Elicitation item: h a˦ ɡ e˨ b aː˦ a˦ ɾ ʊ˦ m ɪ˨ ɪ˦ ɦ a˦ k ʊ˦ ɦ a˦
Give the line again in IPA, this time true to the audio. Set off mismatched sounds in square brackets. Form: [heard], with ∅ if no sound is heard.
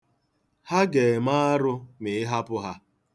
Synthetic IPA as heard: h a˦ ɡ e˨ [m] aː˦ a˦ ɾ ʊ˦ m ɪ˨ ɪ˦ ɦ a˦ [p] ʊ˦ ɦ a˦

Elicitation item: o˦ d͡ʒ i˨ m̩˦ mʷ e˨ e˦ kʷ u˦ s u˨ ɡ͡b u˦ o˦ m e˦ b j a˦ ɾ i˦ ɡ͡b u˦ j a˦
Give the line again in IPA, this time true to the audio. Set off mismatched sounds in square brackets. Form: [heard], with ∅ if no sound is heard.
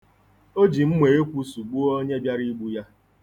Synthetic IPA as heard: o˦ d͡ʒ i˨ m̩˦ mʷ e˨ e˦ kʷ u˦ s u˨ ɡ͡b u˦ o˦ [ɲ] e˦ b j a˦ ɾ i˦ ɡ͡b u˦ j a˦

